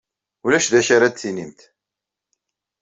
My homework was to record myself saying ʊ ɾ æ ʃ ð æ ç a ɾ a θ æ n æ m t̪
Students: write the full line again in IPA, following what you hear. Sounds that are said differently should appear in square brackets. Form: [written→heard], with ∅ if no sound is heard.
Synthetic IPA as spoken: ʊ [ɾ→l] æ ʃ ð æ ç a ɾ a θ [æ→i] n [æ→i] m t̪